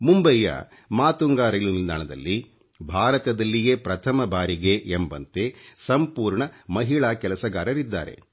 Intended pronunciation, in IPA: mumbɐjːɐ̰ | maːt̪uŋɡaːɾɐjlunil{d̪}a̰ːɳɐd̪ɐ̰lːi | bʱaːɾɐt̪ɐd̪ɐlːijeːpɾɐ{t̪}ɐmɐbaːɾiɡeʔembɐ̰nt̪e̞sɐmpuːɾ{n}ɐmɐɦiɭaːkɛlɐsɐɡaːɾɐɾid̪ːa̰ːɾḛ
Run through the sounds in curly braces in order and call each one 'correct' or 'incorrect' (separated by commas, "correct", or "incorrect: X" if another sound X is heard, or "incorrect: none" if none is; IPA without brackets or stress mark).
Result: correct, incorrect: t̪ʰ, incorrect: ɳ